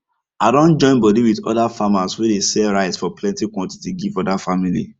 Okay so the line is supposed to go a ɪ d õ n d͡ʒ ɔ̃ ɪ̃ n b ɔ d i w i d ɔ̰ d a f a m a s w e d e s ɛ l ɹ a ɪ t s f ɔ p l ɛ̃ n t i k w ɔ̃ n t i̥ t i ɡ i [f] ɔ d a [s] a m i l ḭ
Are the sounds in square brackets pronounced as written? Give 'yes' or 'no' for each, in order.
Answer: no, no

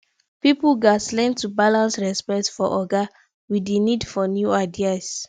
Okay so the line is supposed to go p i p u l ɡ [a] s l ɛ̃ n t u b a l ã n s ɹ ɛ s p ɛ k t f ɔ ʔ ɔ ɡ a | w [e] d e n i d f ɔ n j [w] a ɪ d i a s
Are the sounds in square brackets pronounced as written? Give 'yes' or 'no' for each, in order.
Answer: yes, no, no

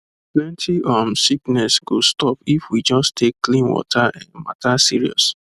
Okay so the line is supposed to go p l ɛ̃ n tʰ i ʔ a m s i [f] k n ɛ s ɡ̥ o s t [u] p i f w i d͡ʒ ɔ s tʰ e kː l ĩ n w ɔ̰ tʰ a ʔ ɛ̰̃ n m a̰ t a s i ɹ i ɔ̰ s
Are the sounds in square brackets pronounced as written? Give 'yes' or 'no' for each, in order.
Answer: no, no

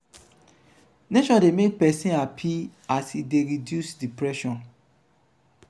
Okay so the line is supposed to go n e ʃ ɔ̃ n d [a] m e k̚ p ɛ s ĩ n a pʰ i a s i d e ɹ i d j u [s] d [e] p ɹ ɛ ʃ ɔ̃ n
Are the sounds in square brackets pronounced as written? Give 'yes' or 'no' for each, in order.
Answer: no, yes, no

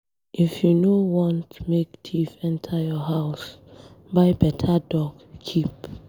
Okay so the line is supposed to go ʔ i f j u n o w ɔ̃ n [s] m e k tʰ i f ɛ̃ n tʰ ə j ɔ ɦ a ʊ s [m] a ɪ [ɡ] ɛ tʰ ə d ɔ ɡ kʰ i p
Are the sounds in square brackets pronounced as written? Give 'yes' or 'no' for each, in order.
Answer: no, no, no

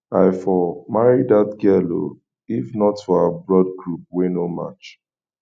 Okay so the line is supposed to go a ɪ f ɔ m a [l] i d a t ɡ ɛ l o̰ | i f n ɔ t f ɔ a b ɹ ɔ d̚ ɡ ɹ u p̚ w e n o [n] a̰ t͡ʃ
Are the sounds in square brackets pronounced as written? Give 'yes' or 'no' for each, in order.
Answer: no, no

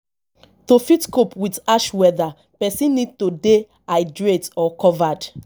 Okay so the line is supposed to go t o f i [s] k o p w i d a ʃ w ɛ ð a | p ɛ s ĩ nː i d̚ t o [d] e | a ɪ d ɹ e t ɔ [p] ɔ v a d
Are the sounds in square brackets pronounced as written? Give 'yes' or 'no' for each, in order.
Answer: no, yes, no

